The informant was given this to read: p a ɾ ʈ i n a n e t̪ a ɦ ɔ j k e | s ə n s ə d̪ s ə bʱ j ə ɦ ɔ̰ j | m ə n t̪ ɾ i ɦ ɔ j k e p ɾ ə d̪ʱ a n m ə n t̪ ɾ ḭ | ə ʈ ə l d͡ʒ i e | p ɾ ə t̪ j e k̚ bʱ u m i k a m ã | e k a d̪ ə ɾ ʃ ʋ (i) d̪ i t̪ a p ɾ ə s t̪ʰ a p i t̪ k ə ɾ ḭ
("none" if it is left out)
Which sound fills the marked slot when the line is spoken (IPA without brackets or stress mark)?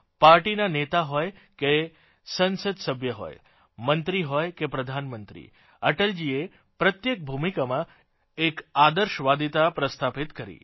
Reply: a